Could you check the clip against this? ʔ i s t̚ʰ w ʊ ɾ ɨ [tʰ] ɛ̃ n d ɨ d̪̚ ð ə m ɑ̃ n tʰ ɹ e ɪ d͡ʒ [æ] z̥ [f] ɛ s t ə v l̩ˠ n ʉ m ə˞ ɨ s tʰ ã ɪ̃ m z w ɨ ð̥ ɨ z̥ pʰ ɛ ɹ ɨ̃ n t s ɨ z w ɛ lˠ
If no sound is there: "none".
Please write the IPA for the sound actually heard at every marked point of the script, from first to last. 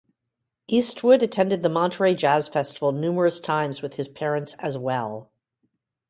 tʰ, æ, f

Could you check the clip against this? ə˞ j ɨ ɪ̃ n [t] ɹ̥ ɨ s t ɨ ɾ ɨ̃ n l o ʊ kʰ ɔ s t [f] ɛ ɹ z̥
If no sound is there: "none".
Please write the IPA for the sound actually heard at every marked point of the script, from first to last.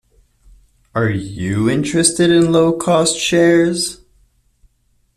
t͡ʃ, ʃ

